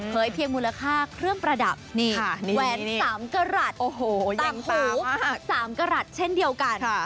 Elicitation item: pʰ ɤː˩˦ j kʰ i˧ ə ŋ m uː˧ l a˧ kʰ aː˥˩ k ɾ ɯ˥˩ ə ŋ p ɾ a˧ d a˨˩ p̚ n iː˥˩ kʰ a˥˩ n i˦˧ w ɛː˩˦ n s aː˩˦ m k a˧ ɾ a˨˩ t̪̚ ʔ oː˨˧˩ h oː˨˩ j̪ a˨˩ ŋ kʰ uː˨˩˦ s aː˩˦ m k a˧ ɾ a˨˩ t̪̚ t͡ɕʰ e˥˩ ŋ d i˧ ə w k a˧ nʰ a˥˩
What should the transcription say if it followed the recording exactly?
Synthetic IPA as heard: pʰ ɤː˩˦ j pʰ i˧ ə ŋ m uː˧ l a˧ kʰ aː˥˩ kʰ ɾ ɯ˥˩ ə ŋ p ɾ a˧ d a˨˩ p̚ n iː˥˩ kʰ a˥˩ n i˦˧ w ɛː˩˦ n s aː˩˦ m k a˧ ɾ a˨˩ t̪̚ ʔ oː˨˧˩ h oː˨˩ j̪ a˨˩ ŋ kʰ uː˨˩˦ s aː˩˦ m k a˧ ɾ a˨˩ t̪̚ t͡ɕʰ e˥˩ n d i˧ ə w k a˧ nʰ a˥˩

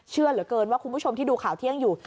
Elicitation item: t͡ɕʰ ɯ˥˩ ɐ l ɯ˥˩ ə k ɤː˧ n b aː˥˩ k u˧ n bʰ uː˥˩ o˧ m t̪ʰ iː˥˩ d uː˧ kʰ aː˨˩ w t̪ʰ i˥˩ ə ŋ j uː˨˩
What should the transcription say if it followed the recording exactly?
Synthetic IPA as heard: t͡ɕʰ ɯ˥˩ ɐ l ɯ˩˦ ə k ɤː˧ n w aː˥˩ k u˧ n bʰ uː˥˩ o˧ m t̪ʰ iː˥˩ d uː˧ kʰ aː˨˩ w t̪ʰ i˥˩ ə ŋ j uː˨˩

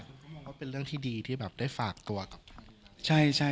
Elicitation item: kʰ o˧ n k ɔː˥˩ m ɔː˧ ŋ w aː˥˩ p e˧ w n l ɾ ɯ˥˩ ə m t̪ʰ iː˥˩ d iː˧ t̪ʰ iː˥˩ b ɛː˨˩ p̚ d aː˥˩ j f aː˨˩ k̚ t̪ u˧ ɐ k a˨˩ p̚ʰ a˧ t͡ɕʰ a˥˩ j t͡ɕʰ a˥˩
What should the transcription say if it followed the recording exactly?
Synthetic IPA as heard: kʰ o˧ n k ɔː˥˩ m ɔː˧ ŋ w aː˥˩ p e˧ n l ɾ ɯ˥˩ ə ŋ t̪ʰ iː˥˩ d iː˧ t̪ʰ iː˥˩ b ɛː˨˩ p̚ d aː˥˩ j f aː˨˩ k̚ t̪ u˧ ɐ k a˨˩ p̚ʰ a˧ t͡ɕʰ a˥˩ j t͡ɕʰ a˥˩

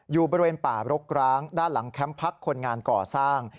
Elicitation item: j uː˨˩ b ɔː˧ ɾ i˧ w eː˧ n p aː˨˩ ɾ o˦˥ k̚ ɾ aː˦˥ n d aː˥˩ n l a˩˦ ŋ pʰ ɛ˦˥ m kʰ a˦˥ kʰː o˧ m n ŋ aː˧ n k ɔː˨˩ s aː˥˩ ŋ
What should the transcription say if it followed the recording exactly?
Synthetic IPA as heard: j uː˨˩ b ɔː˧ ɾ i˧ w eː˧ n p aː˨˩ ɾ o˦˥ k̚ ɾ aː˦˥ ŋ d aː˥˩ n l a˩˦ ŋ kʰ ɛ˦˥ m pʰ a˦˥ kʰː o˧ n ŋ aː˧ n k ɔː˨˩ s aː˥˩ ŋ

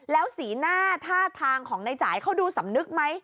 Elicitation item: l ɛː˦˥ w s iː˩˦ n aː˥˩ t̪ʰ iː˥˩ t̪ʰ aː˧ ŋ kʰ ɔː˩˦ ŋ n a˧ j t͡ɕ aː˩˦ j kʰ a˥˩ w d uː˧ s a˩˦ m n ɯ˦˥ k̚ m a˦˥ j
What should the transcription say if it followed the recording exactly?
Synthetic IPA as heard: l ɛː˦˥ w s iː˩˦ n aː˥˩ t̪ʰ aː˥˩ t̪ʰ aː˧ ŋ kʰ ɔː˩˦ ŋ n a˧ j t͡ɕ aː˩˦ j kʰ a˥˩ w d uː˧ s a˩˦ m n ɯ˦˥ k̚ m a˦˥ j

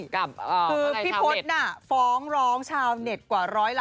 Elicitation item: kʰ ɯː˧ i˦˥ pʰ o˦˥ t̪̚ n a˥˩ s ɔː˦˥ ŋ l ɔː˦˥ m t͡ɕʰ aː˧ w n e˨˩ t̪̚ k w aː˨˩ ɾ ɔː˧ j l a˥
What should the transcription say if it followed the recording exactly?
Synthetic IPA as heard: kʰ ɯː˧ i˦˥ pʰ o˦˥ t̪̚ n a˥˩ f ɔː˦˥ ŋ ɾ ɔː˦˥ ŋ t͡ɕʰ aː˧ w n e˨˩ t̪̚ k w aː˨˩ ɾ ɔː˦˥ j l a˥

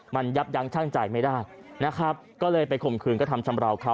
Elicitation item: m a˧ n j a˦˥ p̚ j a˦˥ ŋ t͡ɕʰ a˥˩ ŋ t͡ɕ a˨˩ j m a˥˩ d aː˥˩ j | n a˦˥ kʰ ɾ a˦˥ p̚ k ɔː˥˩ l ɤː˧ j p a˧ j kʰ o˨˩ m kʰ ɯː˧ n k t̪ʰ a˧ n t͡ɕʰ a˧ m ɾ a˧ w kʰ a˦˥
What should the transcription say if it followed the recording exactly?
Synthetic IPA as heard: m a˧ n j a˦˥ p̚ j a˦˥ ŋ t͡ɕʰ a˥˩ ŋ t͡ɕ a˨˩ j m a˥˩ d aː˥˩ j | n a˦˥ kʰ ɾ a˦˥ p̚ k ɔː˥˩ l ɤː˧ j p a˧ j kʰ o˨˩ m kʰ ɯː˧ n k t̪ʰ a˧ m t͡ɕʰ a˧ m ɾ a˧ w kʰ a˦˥

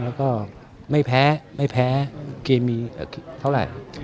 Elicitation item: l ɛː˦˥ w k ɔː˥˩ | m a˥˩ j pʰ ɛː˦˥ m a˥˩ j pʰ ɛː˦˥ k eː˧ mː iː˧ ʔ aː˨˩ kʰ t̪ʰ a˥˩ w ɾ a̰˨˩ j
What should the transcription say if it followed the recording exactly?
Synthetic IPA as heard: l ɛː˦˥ w k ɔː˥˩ | m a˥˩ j pʰ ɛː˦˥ m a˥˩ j pʰ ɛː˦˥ k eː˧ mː iː˧ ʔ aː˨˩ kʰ t̪ʰ a˥˩ w ɾ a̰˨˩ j

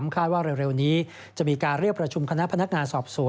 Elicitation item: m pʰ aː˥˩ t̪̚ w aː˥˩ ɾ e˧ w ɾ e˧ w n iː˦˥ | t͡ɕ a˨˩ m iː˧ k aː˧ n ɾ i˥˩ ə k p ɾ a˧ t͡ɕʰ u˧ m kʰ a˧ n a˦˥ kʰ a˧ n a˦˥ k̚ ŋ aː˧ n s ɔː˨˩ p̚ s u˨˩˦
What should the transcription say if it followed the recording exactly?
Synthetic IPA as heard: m kʰ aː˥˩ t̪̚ w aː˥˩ ɾ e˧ w ɾ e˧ w n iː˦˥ | t͡ɕ a˨˩ m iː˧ k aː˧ n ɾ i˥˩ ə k p ɾ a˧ t͡ɕʰ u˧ m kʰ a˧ n a˦˥ pʰ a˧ n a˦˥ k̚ ŋ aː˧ n s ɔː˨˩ p̚ s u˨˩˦

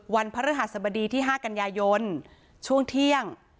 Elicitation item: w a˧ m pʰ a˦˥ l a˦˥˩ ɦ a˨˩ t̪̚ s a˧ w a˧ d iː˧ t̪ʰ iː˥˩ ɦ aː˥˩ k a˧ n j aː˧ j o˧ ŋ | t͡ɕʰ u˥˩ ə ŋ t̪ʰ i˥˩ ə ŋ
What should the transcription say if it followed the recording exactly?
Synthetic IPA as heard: w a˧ n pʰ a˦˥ ɾ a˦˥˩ ɦ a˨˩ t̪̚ s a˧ b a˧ d iː˧ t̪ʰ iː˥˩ ɦ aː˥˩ k a˧ n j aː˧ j o˧ n | t͡ɕʰ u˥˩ ə ŋ t̪ʰ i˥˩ ə ŋ

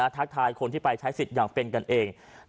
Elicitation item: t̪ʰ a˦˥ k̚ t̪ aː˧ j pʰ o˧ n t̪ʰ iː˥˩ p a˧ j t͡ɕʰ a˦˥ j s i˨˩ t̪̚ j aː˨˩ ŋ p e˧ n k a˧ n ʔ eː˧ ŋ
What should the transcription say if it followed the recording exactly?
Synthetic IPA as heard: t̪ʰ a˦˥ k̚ t̪ʰ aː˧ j kʰ o˧ n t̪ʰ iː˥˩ p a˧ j t͡ɕʰ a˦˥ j s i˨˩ t̪̚ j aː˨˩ ŋ p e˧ n k a˧ n ʔ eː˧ ŋ

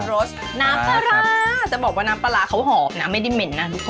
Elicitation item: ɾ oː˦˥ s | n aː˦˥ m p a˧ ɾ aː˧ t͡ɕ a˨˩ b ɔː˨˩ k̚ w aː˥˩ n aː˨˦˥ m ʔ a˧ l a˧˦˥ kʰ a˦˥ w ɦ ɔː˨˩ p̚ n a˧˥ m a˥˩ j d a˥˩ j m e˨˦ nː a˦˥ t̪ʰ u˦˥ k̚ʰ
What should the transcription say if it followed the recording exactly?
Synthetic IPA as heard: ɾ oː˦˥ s | n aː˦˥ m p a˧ ɾ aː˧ t͡ɕ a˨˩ b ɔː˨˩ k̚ w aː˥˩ n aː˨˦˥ m p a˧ l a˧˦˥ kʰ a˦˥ w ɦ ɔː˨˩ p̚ n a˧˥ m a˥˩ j d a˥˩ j m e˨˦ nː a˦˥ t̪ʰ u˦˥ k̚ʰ

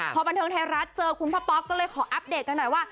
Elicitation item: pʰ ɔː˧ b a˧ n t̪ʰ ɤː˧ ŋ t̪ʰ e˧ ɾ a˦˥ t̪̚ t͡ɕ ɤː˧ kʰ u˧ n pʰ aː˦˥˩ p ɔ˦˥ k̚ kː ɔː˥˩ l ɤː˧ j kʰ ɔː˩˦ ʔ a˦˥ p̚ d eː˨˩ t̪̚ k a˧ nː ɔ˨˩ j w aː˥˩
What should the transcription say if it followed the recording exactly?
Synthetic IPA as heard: pʰ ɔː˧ b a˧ n t̪ʰ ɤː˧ ŋ t̪ʰ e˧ ɾ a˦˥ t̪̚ t͡ɕ ɤː˧ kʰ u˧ n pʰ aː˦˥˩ p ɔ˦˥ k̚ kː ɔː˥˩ l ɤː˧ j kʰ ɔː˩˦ ʔ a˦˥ p̚ d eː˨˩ t̪̚ k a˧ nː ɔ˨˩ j w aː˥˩

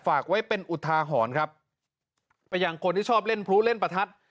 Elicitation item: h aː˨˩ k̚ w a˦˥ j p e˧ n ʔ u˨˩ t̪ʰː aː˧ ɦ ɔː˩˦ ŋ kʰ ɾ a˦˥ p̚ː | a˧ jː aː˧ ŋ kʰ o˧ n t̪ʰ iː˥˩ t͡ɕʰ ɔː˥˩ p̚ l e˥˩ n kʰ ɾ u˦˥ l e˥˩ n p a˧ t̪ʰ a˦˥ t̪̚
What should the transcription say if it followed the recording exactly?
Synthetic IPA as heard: f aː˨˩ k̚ w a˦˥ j p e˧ n ʔ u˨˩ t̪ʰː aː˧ ɦ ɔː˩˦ n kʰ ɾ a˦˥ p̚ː | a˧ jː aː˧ ŋ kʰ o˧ n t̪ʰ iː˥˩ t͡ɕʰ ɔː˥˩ p̚ l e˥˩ n pʰ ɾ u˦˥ l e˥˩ n p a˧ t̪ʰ a˦˥ t̪̚

